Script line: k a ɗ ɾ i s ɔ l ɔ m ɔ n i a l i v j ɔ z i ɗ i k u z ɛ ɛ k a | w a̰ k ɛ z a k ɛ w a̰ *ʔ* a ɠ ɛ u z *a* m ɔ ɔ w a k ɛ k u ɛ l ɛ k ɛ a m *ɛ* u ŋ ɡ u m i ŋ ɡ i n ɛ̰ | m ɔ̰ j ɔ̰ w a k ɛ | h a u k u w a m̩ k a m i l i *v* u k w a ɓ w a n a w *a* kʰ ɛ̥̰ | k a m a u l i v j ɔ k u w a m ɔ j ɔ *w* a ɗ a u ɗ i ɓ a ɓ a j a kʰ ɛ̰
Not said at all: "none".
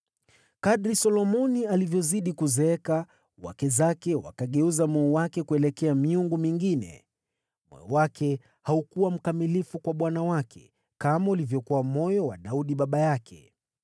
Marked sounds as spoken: k, a, i, f, a, w

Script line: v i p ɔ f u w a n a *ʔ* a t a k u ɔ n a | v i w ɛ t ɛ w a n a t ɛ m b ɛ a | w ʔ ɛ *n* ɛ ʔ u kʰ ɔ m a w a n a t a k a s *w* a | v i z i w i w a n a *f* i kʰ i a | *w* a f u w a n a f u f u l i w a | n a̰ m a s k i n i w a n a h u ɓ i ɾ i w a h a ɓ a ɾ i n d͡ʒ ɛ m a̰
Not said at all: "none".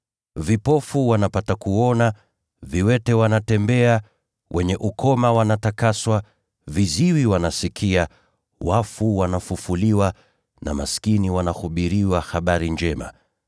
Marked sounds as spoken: p, ɲ, w, s, w

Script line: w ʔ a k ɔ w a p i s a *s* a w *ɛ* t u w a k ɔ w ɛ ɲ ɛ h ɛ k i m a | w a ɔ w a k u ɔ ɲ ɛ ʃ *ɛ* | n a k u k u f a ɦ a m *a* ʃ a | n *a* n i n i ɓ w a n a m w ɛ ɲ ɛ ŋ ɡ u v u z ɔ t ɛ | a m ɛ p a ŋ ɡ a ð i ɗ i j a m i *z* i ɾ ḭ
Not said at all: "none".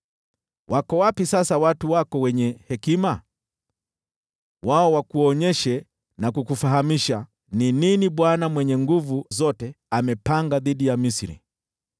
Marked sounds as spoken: s, a, ɛ, i, i, s

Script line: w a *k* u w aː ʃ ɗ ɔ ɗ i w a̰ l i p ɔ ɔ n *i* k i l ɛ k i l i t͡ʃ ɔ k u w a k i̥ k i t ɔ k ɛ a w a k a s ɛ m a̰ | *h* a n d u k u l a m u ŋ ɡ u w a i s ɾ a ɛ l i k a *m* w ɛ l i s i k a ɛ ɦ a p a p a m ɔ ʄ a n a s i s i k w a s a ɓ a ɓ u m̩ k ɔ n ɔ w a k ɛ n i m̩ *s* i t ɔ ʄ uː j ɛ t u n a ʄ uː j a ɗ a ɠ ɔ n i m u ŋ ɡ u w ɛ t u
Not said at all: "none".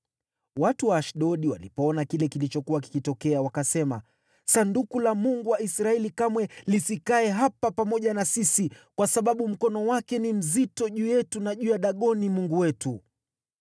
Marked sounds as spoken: t, a, s, m, z

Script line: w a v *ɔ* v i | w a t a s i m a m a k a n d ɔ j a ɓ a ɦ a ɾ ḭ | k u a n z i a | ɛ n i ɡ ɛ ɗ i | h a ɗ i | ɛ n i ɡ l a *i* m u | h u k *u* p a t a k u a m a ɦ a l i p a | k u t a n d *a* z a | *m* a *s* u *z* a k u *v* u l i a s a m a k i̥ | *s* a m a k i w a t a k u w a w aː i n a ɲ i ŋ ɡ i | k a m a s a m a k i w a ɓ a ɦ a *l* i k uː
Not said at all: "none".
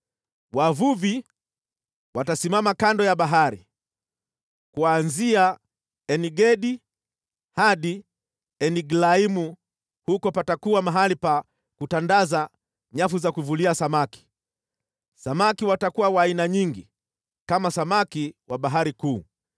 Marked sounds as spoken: u, i, ɔ, a, ɲ, f, z, v, s, ɾ

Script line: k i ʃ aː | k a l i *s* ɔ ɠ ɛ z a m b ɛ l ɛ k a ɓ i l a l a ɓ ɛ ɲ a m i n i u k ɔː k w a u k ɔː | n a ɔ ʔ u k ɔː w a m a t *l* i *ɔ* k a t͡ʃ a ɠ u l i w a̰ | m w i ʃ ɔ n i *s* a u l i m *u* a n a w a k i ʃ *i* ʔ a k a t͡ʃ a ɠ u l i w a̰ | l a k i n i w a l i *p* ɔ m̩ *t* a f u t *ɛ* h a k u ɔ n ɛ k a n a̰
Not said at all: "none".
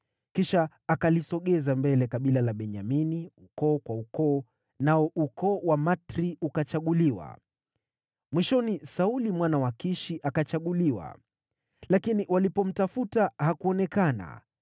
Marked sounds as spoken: s, ɾ, u, s, w, i, p, t, a

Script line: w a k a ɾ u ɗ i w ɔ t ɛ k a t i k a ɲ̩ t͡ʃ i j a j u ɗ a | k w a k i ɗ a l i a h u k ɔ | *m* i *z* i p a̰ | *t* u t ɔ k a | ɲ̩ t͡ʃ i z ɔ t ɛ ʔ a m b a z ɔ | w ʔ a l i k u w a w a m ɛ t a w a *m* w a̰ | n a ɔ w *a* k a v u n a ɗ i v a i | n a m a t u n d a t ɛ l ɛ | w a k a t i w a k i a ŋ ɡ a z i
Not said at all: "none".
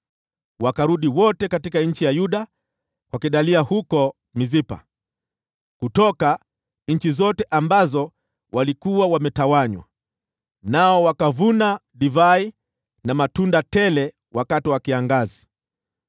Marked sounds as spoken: m, z, k, ɲ, a

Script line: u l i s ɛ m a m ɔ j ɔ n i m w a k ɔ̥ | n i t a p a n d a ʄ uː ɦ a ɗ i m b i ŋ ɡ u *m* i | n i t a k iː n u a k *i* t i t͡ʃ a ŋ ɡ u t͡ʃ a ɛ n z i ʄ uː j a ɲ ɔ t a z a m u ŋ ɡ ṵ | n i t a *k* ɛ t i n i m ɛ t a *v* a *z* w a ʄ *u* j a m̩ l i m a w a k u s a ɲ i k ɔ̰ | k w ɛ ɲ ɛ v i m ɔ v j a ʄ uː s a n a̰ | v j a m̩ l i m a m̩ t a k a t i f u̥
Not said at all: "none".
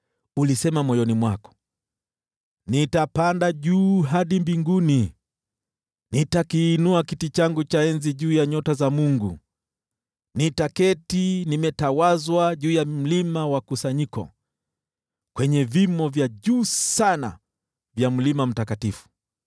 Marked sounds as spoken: n, i, k, w, z, uː

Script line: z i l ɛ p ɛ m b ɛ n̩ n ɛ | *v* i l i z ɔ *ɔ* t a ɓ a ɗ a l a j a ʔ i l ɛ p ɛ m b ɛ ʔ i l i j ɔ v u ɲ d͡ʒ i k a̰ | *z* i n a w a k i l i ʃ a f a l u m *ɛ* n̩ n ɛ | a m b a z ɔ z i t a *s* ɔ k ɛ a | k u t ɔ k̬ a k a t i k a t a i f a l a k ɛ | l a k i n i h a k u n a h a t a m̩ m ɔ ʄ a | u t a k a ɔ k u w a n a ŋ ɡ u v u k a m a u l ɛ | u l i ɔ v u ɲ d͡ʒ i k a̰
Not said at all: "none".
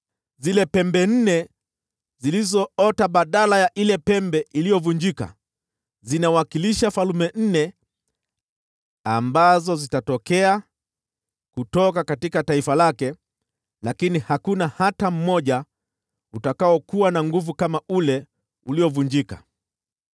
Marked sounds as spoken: z, ɔ, z, ɛ, t

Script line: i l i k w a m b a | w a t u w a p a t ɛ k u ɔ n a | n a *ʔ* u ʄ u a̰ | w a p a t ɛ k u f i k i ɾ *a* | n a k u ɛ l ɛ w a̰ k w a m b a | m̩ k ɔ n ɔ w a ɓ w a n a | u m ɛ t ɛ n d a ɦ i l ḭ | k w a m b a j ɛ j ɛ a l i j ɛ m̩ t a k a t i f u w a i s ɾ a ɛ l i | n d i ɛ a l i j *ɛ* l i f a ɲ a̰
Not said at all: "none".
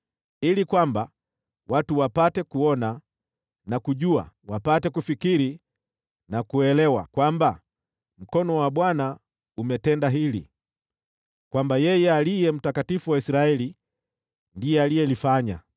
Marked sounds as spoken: k, i, ɛ

